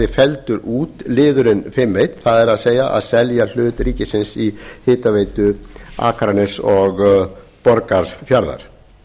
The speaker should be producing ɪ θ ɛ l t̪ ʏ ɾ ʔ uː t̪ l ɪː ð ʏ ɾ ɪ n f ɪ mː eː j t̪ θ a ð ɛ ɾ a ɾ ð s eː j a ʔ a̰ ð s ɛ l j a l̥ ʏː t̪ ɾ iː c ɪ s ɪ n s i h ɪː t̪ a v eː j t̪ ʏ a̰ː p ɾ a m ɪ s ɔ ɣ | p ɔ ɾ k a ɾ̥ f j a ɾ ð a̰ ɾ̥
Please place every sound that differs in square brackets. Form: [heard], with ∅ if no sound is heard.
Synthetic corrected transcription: ɪ [f] ɛ l t̪ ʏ ɾ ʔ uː t̪ l ɪː ð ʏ ɾ ɪ n f ɪ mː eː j t̪ θ a ð ɛ ɾ a [∅] ð s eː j a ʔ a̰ ð s ɛ l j a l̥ ʏː t̪ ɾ iː c ɪ s ɪ n s i h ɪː t̪ a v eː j t̪ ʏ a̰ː [k] ɾ a [n] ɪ s ɔ ɣ | p ɔ ɾ k a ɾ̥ f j a ɾ ð a̰ ɾ̥

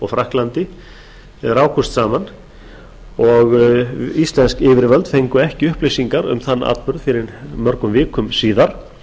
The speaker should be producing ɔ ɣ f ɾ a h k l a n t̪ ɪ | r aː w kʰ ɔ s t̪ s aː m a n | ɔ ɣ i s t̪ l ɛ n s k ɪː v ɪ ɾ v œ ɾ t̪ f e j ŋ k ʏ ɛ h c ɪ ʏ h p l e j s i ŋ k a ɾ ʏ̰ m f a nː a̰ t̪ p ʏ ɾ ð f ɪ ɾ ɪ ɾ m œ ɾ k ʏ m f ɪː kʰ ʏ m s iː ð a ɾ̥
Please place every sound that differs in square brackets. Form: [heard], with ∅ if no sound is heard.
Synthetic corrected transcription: ɔ ɣ f ɾ a h k l a n t̪ ɪ | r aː w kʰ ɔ s t̪ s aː m a n | ɔ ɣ i s t̪ l ɛ n s k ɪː v ɪ ɾ v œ [l] t̪ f e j ŋ k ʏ ɛ h c ɪ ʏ h p l e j s i ŋ k a ɾ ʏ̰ m [θ] a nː a̰ t̪ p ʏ ɾ ð f ɪ ɾ ɪ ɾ m œ ɾ k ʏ m [v] ɪː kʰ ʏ m s iː ð a ɾ̥

